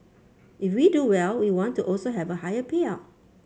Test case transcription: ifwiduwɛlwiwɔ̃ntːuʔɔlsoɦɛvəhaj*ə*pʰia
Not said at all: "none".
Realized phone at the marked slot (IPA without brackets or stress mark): ə